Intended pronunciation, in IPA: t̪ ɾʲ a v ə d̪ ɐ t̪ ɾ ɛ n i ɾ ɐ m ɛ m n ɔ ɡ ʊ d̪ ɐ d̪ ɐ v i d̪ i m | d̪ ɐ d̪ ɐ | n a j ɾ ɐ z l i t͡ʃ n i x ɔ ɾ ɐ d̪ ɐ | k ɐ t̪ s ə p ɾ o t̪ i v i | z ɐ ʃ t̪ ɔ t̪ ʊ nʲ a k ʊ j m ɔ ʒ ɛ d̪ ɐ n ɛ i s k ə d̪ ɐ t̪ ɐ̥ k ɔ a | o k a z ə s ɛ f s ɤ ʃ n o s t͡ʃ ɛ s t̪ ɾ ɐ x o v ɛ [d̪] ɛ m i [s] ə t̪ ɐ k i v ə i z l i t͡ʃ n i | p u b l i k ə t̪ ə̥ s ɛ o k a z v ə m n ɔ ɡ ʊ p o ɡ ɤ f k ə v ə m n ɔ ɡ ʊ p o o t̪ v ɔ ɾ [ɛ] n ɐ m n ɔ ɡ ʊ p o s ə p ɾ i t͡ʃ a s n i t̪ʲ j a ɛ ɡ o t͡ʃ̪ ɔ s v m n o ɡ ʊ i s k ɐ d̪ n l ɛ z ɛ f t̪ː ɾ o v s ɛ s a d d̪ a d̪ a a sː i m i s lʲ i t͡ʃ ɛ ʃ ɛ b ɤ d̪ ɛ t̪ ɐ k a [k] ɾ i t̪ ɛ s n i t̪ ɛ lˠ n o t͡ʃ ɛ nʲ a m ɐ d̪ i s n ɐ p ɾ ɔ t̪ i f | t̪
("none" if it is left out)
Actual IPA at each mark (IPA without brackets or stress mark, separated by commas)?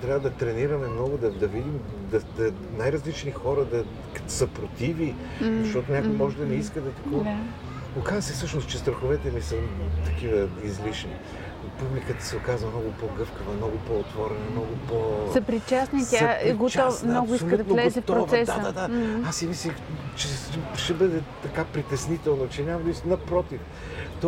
t̪, s, ɛ, p